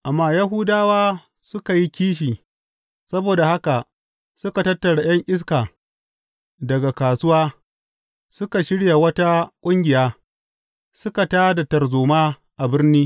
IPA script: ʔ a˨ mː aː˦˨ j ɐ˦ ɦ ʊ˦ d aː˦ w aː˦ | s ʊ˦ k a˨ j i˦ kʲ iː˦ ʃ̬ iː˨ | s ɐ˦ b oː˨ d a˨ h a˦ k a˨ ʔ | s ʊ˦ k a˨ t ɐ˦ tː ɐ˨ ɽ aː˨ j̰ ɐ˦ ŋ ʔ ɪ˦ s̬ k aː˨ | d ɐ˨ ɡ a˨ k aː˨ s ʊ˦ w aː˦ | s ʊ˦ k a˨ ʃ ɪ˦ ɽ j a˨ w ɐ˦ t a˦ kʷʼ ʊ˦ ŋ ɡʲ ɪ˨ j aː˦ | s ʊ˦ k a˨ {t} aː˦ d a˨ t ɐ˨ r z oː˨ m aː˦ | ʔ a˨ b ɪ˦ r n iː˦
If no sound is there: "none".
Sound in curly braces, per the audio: t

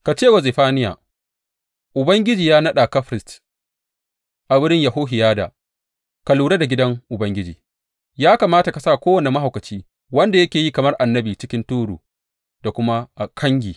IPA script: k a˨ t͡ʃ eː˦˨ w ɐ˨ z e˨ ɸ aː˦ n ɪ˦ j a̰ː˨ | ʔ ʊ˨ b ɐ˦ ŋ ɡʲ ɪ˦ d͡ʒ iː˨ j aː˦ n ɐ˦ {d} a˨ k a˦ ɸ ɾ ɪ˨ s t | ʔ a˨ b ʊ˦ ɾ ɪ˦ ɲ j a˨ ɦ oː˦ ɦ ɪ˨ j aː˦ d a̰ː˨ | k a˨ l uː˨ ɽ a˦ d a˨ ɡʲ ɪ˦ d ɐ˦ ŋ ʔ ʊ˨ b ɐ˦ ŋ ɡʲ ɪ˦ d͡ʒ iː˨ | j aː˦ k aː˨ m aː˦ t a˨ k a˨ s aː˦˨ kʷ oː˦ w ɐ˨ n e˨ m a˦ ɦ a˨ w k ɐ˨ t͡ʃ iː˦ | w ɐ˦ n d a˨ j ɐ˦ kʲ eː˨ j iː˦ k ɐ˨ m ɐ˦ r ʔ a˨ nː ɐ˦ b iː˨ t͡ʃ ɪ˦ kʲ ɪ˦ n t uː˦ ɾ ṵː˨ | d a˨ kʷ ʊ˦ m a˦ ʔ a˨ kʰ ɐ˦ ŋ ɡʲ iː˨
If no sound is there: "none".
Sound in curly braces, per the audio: ɗ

